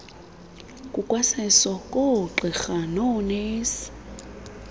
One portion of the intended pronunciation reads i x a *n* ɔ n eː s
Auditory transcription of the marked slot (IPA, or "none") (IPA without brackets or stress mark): n